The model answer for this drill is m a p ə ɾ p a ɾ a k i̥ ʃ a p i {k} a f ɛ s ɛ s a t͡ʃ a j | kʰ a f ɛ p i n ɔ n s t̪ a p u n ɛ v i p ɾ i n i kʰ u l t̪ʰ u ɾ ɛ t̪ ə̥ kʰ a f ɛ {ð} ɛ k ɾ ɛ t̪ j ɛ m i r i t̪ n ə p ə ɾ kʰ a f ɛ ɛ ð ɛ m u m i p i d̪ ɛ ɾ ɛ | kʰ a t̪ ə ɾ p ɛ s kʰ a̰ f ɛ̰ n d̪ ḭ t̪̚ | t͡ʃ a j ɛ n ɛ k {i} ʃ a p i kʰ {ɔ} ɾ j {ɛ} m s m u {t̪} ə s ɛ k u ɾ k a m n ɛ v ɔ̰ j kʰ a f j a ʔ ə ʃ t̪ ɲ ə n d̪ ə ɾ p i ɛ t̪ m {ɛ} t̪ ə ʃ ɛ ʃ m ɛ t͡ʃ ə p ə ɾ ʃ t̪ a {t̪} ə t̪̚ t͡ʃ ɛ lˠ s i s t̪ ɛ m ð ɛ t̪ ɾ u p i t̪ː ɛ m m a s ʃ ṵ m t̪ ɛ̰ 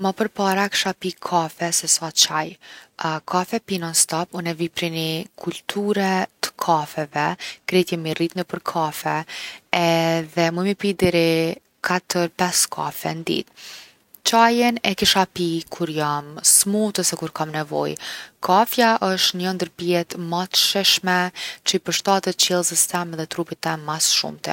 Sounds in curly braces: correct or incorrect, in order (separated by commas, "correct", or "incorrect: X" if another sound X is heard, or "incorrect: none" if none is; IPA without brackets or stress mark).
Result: incorrect: kʰ, incorrect: v, correct, incorrect: u, incorrect: a, correct, incorrect: a, correct